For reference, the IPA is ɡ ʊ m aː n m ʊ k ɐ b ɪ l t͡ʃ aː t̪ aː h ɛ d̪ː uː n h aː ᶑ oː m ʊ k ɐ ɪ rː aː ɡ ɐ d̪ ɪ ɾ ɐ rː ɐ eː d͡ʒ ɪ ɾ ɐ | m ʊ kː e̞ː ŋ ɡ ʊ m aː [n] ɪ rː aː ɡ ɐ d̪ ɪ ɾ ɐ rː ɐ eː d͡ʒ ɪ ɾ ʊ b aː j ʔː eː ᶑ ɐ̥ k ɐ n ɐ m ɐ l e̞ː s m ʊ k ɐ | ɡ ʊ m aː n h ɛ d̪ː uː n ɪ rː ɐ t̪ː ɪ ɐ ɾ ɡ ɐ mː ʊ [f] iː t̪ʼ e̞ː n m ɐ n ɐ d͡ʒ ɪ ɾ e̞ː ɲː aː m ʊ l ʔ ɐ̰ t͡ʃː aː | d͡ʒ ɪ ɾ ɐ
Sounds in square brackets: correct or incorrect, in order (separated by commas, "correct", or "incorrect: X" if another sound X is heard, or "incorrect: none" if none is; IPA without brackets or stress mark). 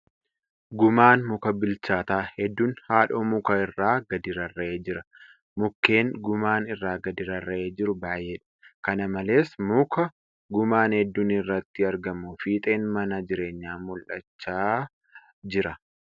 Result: correct, correct